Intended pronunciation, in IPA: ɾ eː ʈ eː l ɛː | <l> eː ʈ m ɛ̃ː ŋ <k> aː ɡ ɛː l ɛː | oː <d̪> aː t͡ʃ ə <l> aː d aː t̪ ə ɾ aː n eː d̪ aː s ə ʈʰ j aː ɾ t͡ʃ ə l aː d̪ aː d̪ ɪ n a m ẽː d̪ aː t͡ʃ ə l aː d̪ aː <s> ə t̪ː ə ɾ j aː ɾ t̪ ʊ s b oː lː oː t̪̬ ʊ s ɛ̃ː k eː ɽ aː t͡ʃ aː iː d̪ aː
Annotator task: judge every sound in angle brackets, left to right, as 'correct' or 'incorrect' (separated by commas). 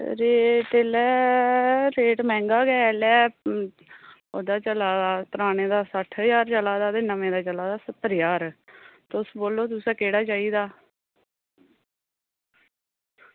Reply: incorrect, incorrect, correct, correct, correct